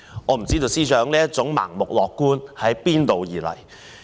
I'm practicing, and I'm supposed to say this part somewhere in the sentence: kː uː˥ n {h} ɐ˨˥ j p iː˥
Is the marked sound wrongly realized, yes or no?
no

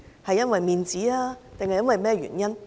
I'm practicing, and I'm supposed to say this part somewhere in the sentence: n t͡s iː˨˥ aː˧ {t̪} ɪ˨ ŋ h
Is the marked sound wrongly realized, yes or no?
no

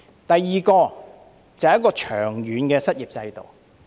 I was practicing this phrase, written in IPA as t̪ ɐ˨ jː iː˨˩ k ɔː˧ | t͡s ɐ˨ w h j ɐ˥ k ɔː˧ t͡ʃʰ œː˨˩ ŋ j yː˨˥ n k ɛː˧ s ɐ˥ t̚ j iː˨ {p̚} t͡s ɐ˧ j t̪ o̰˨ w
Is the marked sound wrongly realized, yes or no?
no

